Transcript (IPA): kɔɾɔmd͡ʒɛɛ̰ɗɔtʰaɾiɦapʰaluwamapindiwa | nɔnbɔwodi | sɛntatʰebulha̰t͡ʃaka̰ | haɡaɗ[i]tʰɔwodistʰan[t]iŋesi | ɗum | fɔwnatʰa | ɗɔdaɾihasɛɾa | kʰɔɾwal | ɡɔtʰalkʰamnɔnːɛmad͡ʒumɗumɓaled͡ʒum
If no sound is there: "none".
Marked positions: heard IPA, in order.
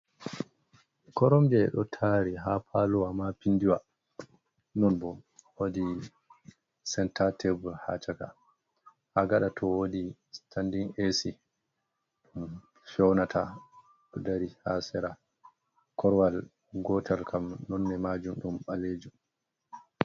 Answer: a, d

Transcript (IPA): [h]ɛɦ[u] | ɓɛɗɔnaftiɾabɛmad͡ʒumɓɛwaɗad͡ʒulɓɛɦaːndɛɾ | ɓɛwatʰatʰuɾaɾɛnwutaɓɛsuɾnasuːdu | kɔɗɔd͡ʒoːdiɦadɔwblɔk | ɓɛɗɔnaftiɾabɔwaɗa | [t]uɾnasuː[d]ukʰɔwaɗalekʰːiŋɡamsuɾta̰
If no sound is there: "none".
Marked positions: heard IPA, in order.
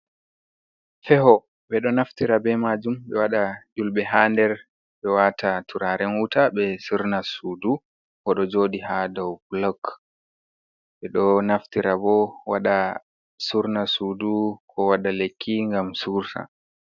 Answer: f, ɔ, s, d

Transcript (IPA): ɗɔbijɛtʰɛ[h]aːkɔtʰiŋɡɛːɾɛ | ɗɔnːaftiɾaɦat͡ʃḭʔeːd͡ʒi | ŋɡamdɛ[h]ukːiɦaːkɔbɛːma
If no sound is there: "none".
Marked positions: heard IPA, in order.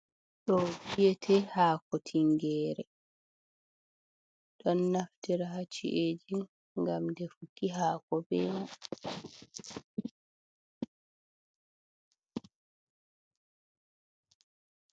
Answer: h, f

